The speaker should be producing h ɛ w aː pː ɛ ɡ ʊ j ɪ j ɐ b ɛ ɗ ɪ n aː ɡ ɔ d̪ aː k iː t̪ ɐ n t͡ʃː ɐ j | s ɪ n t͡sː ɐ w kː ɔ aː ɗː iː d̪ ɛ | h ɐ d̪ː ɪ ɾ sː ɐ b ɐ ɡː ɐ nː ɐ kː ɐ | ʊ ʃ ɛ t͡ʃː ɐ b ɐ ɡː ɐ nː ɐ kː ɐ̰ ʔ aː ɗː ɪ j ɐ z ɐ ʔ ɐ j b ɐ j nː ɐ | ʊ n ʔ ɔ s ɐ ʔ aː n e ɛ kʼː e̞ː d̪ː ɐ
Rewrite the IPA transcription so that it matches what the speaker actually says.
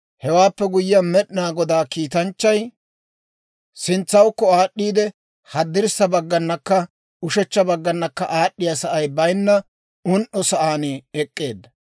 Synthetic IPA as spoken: h ɛ w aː pː ɛ ɡ ʊ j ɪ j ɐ m ɛ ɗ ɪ n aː ɡ ɔ d̪ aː k iː t̪ ɐ n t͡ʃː ɐ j | s ɪ n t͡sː ɐ w kː ɔ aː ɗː iː d̪ ɛ | h ɐ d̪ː ɪ ɾ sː ɐ b ɐ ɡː ɐ nː ɐ kː ɐ | ʊ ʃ ɛ t͡ʃː ɐ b ɐ ɡː ɐ nː ɐ kː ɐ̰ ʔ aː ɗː ɪ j ɐ s ɐ ʔ ɐ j b ɐ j nː ɐ | ʊ n ʔ ɔ s ɐ ʔ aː n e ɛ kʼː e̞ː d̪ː ɐ

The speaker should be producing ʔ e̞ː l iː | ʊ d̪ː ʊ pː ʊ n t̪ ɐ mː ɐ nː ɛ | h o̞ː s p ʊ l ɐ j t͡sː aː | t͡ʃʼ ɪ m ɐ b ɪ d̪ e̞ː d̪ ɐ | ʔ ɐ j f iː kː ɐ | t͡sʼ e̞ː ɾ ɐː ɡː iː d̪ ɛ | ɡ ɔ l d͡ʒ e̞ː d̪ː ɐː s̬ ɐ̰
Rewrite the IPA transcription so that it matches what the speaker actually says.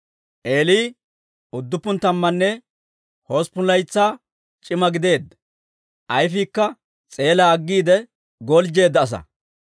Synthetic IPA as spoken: ʔ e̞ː l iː | ʊ d̪ː ʊ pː ʊ n t̪ ɐ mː ɐ nː ɛ | h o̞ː s p ʊ l ɐ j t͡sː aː | t͡ʃʼ ɪ m ɐ ɡ ɪ d̪ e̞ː d̪ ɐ | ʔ ɐ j f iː kː ɐ | t͡sʼ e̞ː l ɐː ɡː iː d̪ ɛ | ɡ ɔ l d͡ʒ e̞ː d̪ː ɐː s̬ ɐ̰

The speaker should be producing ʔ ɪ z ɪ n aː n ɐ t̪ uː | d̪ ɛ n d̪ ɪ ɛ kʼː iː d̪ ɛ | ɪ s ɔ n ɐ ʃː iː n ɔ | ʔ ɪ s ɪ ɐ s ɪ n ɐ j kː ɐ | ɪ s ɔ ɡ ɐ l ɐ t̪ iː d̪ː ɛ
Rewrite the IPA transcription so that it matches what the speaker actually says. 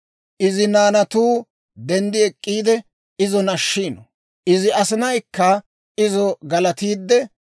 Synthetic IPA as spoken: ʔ ɪ z ɪ n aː n ɐ t̪ uː | d̪ ɛ n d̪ ɪ ɛ kʼː iː d̪ ɛ | ɪ z ɔ n ɐ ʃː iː n ɔ | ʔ ɪ z ɪ ɐ s ɪ n ɐ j kː ɐ | ɪ z ɔ ɡ ɐ l ɐ t̪ iː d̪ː ɛ

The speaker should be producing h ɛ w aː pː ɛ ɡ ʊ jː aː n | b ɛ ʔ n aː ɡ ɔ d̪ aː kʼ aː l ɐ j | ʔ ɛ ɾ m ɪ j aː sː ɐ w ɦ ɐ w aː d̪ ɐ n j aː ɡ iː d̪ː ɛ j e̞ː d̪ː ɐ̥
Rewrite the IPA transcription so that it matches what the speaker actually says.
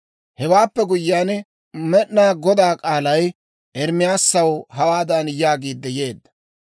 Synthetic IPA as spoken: h ɛ w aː pː ɛ ɡ ʊ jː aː n | m ɛ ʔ n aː ɡ ɔ d̪ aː kʼ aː l ɐ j | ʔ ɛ ɾ m ɪ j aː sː ɐ w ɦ ɐ w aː d̪ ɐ n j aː ɡ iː d̪ː ɛ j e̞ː d̪ː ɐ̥

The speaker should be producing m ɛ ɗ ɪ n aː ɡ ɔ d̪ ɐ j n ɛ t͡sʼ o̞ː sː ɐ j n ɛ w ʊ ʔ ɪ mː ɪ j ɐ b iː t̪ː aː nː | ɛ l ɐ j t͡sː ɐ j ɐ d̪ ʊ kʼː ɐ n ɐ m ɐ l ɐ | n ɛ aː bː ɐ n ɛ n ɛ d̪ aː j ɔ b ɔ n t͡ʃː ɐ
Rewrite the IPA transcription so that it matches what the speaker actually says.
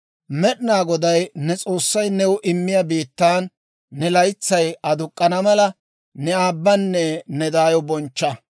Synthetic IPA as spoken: m ɛ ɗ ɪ n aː ɡ ɔ d̪ ɐ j n ɛ t͡sʼ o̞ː sː ɐ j n ɛ w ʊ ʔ ɪ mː ɪ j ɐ b iː t̪ː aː nː | ɛ l ɐ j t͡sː ɐ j ɐ d̪ ʊ kʼː ɐ n ɐ m ɐ l ɐ | n ɛ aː bː ɐ nː ɛ n ɛ d̪ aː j ɔ b ɔ n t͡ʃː ɐ

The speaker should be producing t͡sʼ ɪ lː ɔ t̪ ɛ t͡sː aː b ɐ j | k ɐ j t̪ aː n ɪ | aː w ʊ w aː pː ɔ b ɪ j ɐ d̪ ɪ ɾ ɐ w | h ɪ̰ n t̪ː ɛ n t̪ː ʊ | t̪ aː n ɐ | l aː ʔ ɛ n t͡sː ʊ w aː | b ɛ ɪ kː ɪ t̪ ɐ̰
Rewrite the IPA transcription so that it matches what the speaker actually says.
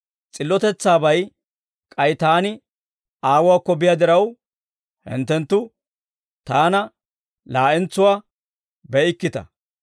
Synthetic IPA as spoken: t͡sʼ ɪ lː ɔ t̪ ɛ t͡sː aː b ɐ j | kʼ ɐ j t̪ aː n ɪ | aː w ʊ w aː kː ɔ b ɪ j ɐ d̪ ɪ ɾ ɐ w | h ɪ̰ n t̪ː ɛ n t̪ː ʊ | t̪ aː n ɐ | l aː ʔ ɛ n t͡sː ʊ w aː | b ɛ ɪ kː ɪ t̪ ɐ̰

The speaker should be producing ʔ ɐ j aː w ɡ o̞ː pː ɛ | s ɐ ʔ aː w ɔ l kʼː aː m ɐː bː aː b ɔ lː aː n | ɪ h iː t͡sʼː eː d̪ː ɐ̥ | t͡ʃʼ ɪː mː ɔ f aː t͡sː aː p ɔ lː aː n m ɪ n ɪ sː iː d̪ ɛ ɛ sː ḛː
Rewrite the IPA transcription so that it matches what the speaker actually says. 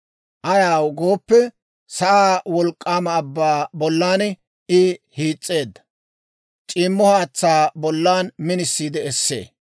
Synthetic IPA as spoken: ʔ ɐ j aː w ɡ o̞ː pː ɛ | s ɐ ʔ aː w ɔ l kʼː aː m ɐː bː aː b ɔ lː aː n | ɪ h iː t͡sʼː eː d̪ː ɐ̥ | t͡ʃʼ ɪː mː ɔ h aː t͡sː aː b ɔ lː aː n m ɪ n ɪ sː iː d̪ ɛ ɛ sː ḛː

